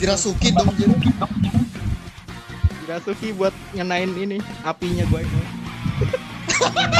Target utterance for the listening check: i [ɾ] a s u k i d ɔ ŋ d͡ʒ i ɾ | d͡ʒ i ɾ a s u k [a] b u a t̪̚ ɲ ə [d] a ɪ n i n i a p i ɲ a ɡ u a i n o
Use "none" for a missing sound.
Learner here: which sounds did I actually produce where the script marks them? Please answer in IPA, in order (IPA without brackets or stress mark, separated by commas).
ɾ, i, n